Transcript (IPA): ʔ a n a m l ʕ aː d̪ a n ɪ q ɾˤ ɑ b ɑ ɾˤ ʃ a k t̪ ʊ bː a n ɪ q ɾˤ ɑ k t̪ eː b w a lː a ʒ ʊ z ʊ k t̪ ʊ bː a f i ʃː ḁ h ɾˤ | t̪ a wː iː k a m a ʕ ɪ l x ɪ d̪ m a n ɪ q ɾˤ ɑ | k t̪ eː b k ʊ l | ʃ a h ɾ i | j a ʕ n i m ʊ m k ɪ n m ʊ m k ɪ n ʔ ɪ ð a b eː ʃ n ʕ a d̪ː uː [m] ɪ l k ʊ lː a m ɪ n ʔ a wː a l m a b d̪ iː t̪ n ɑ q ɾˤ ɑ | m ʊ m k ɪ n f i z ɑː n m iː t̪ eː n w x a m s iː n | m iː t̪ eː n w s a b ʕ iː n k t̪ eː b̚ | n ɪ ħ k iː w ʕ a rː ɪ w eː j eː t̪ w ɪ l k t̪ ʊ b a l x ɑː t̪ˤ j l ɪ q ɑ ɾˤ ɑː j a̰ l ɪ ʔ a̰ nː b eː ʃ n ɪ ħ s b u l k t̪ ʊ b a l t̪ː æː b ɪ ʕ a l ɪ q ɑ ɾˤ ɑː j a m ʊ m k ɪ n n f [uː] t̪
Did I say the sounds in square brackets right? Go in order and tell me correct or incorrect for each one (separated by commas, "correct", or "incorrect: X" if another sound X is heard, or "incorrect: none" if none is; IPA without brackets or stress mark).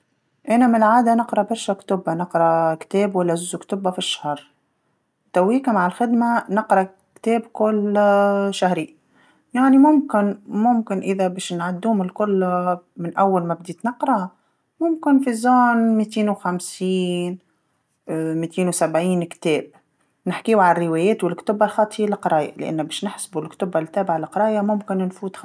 correct, correct